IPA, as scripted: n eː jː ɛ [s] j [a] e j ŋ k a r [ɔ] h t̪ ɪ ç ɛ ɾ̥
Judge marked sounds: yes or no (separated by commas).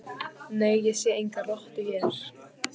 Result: yes, no, yes